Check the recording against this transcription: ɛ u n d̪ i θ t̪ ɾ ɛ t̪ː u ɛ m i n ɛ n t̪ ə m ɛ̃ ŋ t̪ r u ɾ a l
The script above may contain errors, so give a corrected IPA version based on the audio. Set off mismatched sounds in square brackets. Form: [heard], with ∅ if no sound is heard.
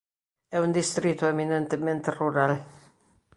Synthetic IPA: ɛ u n d̪ i [s] t̪ ɾ [i] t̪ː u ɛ m i n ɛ n t̪ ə m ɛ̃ [n] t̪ r u ɾ a l